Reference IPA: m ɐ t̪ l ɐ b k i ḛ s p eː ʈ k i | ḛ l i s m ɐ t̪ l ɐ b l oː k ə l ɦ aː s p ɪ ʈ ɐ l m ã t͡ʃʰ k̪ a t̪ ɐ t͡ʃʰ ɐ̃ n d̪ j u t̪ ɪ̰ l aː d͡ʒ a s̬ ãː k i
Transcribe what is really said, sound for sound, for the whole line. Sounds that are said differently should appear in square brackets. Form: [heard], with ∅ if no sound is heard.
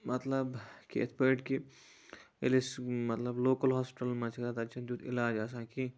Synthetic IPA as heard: m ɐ t̪ l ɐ b k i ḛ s p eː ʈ k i | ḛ l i s m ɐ t̪ l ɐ b l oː k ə l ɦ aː s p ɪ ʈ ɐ l m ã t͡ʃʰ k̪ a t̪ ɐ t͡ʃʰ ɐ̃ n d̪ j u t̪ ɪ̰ l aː d͡ʒ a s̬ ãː k i